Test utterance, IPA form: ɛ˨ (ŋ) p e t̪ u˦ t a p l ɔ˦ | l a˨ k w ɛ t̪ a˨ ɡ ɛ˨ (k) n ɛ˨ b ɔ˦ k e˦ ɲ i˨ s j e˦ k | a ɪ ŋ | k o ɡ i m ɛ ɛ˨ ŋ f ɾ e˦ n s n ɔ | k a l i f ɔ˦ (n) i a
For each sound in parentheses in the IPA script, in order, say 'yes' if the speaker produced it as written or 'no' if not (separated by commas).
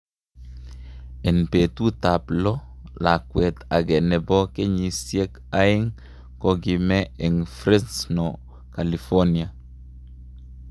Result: no, no, yes